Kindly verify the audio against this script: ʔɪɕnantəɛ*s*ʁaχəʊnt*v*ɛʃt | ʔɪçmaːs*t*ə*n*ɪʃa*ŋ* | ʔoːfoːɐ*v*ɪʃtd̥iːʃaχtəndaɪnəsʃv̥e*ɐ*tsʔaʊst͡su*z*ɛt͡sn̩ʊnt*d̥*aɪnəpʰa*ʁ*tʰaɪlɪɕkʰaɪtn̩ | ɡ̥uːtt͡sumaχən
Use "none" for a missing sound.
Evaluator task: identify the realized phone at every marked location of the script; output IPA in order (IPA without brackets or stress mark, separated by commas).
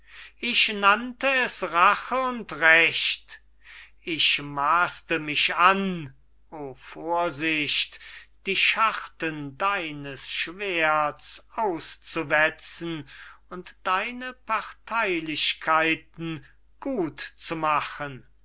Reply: s, ʁ, t, m, n, z, ɐ, v, d̥, ʁ